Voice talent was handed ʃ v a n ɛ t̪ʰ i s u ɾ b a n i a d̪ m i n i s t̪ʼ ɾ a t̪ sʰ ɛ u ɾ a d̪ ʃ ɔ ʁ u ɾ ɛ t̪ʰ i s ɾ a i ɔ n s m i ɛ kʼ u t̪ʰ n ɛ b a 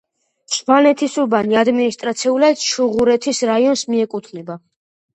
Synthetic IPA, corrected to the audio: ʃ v a n ɛ t̪ʰ i s u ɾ b a n i a d̪ m i n i s t̪ʼ ɾ a t̪ sʰ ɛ u l a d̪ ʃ u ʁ u ɾ ɛ t̪ʰ i s ɾ a i ɔ n s m i ɛ kʼ u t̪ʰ n ɛ b a